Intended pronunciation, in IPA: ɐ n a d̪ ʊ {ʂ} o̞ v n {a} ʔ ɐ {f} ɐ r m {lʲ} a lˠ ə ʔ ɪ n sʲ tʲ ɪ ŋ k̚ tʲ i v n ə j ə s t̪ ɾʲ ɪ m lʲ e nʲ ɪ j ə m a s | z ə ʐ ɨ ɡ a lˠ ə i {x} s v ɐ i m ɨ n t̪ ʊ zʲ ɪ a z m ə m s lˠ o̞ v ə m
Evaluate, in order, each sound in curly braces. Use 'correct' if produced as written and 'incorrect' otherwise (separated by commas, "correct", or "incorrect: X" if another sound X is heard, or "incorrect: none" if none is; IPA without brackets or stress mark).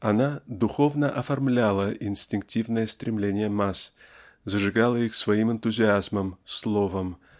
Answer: incorrect: x, incorrect: ə, correct, correct, correct